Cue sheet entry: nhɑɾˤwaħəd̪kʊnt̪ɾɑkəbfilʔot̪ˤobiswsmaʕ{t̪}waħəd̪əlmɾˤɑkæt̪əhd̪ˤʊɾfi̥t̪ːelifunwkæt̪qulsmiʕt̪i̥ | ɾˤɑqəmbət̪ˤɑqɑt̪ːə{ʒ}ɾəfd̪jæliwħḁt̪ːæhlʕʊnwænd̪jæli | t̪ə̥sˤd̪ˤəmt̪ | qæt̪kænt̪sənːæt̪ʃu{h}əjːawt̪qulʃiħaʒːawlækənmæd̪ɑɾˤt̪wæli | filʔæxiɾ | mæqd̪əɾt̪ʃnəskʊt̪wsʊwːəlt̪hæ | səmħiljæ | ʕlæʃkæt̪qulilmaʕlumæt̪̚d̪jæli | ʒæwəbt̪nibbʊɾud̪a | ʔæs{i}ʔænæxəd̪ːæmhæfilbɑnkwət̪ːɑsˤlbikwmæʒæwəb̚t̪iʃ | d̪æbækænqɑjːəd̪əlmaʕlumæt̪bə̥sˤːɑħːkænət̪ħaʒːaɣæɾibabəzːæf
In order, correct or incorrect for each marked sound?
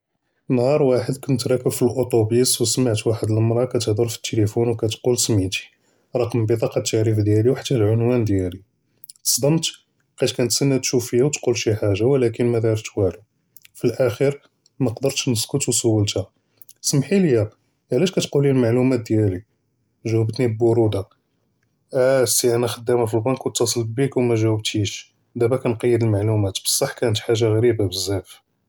correct, incorrect, incorrect, correct

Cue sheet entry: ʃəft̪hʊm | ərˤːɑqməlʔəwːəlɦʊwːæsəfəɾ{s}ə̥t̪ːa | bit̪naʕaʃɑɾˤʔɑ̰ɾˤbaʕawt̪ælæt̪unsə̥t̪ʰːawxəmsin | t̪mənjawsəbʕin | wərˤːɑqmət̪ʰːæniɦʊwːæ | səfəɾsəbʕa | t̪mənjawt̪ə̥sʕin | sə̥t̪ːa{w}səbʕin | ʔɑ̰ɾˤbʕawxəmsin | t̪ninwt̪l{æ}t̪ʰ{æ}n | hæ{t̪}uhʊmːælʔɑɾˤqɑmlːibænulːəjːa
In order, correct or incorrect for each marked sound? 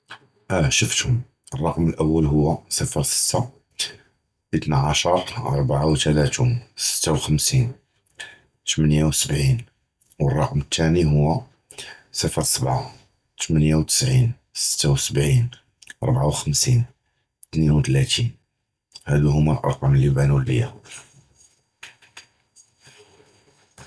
correct, correct, correct, incorrect, incorrect

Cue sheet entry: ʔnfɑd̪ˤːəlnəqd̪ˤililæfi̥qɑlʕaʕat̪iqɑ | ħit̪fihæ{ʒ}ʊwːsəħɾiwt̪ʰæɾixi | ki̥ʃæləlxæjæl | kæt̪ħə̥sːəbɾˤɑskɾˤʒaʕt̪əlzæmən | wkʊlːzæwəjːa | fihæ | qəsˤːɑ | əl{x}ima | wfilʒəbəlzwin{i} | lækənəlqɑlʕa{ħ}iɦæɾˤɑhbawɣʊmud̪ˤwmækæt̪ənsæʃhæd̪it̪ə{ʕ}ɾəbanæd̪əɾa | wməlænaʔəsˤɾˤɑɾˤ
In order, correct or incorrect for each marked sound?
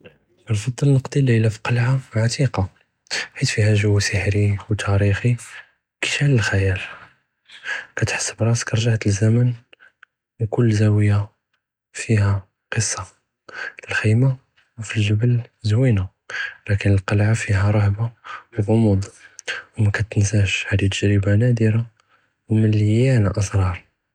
correct, correct, incorrect, incorrect, incorrect

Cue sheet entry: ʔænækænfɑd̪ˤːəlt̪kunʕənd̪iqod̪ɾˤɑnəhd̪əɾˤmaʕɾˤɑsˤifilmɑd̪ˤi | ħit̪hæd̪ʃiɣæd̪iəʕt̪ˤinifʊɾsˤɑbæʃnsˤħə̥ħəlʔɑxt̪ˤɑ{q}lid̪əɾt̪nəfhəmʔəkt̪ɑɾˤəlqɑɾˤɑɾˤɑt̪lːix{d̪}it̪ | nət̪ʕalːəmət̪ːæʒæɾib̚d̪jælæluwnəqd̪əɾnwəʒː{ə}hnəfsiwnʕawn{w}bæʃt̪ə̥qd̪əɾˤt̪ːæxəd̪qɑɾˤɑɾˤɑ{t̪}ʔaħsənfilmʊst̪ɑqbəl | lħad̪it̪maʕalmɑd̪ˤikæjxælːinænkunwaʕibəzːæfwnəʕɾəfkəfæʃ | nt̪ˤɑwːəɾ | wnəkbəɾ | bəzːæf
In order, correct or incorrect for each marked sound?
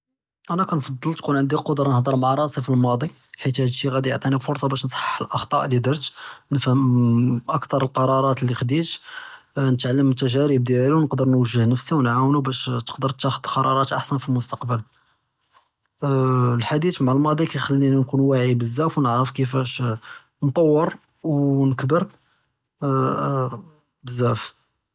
incorrect, correct, correct, incorrect, correct

